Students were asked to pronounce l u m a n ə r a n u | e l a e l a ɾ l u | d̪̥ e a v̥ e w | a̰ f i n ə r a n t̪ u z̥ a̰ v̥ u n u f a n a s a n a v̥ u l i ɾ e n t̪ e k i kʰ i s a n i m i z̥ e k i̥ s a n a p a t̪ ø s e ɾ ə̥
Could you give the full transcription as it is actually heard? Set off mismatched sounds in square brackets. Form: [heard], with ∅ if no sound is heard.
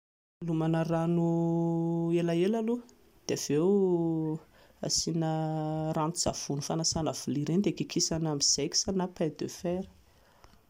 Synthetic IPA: l u m a n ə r a n u | e l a e l a [∅] l u | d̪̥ e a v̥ e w | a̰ [s] i n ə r a n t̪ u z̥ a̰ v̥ u n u f a n a s a n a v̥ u l i ɾ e n [d̪] e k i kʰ i s a n [a] m i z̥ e k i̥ s a n a p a [d̪] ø [f] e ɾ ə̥